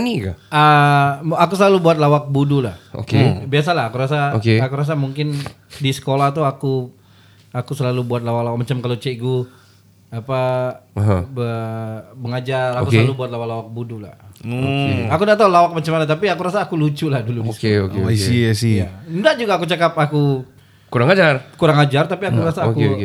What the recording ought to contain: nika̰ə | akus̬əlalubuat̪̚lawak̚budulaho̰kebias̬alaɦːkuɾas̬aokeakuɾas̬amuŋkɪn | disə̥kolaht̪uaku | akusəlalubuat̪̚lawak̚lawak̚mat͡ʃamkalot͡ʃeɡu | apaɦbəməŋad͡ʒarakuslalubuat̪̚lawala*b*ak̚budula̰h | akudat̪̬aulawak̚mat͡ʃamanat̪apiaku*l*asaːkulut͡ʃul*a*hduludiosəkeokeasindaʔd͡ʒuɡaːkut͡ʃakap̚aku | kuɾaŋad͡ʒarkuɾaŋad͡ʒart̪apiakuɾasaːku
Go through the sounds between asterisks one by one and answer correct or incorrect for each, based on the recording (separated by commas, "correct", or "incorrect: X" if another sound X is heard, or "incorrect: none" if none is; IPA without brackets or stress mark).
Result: incorrect: w, incorrect: ɾ, correct